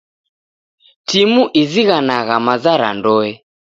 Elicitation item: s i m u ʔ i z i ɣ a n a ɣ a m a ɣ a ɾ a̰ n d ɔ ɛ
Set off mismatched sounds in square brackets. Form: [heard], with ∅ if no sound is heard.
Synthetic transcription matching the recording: [t] i m u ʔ i z i ɣ a n a ɣ a m a [z] a ɾ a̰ n d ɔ ɛ

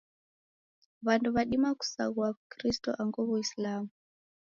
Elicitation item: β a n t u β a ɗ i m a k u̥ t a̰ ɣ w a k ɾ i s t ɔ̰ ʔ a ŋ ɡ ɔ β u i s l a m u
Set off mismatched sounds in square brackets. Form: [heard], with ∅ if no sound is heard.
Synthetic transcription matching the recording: β a n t u β a ɗ i m a k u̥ [s] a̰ ɣ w a k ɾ i s t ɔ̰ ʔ a ŋ ɡ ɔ β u i s l a m u

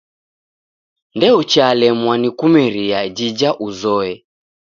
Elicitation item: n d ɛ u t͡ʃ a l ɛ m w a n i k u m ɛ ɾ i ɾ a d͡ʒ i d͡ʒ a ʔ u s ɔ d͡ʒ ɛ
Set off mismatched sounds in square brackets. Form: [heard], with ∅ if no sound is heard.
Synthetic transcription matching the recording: n d ɛ u t͡ʃ a l ɛ m w a n i k u m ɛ ɾ i [∅] a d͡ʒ i d͡ʒ a ʔ u [z] ɔ [∅] ɛ

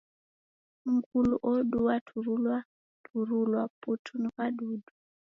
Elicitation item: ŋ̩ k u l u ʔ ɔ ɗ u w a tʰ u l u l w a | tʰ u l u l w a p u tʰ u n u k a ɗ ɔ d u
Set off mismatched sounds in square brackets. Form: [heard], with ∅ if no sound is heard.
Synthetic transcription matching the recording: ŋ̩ k u l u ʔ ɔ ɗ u w a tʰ u [ɾ] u l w a | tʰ u [ɾ] u l w a p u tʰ u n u k a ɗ [u] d u

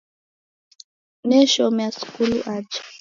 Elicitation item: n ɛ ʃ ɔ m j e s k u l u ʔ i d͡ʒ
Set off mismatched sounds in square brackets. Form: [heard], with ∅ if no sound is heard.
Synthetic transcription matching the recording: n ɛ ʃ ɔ m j [a] s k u l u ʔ [a] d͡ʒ

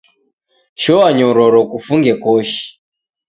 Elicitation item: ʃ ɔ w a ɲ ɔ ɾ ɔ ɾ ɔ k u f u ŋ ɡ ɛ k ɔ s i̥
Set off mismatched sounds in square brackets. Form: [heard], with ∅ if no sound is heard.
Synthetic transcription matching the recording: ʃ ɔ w a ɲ ɔ ɾ ɔ ɾ ɔ k u f u ŋ ɡ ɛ k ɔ [ʃ] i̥

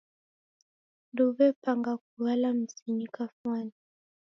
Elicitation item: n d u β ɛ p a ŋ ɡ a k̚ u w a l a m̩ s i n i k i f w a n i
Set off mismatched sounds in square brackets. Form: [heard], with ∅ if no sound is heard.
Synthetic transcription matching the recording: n d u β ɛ p a ŋ ɡ a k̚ u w a l a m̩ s i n i k [a] f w a n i

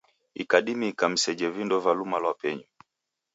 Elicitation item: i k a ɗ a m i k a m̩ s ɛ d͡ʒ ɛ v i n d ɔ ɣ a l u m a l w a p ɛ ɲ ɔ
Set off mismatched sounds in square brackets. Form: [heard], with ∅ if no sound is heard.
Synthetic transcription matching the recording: i k a ɗ [i] m i k a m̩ s ɛ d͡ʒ ɛ v i n d ɔ [v] a l u m a l w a p ɛ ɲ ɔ

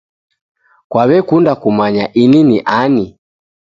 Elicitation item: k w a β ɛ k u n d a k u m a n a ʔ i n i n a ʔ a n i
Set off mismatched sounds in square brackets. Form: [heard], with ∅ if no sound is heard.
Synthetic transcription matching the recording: k w a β ɛ k u n d a k u m a [ɲ] a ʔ i n i n [i] ʔ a n i

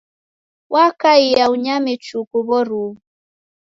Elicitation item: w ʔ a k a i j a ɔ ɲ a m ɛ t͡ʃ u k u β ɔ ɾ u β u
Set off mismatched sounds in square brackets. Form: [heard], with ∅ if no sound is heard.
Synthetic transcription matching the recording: w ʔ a k a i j a [u] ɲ a m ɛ t͡ʃ u k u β ɔ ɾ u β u

